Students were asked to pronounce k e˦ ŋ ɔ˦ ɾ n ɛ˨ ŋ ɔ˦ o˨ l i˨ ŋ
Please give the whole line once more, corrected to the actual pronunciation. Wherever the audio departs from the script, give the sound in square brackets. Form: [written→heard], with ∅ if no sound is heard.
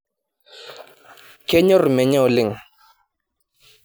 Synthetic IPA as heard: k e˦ [ŋ→ɲ] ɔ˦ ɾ [n→m] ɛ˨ [ŋ→ɲ] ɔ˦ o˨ l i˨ ŋ